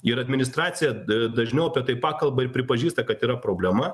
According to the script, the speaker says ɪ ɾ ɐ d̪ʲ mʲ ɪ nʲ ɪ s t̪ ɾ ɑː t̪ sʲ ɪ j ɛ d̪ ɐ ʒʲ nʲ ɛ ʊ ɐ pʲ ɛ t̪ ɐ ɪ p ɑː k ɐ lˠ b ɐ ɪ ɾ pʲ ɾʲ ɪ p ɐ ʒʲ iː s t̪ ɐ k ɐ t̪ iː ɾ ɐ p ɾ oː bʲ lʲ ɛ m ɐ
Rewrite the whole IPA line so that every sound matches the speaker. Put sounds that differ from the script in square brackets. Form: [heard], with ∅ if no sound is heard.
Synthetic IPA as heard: ɪ ɾ ɐ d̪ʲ mʲ ɪ nʲ ɪ s t̪ ɾ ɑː t̪ sʲ ɪ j ɛ d̪ ɐ ʒʲ nʲ ɛ ʊ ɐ pʲ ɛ t̪ ɐ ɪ p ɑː k ɐ lˠ b ɐ ɪ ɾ pʲ ɾʲ ɪ p ɐ ʒʲ iː s t̪ ɐ k ɐ t̪ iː ɾ ɐ p ɾ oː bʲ lʲ ɛ m ɐ